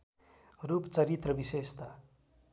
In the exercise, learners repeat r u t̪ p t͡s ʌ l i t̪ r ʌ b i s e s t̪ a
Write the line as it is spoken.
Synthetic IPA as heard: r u p t͡s ʌ ɾ i t̪ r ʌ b i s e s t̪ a